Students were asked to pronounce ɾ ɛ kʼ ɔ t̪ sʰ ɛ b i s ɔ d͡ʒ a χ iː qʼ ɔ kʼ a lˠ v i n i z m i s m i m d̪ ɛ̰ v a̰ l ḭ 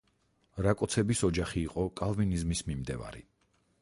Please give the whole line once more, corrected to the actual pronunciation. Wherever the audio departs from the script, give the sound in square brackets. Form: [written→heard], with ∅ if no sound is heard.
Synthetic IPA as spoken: ɾ [ɛ→a] kʼ ɔ t̪ sʰ ɛ b i s ɔ d͡ʒ a χ iː qʼ ɔ kʼ a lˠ v i n i z m i s m i m d̪ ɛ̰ v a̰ [l→ɾ] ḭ